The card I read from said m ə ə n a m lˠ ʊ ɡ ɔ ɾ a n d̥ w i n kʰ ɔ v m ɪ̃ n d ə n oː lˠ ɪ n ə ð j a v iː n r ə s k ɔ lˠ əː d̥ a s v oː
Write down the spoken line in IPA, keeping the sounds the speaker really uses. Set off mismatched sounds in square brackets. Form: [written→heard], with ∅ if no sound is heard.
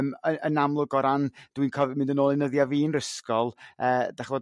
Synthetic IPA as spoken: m ə ə n a m lˠ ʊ ɡ ɔ ɾ a n d̥ w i n kʰ ɔ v m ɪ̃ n d ə n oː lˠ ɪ n ə ð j a v iː n r ə s k ɔ lˠ əː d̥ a [s→χ] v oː